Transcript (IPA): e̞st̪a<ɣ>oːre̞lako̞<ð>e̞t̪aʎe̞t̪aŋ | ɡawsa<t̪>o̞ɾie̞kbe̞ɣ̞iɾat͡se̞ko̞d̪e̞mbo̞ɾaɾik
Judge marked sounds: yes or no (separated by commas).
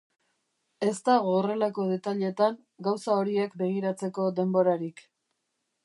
yes, yes, no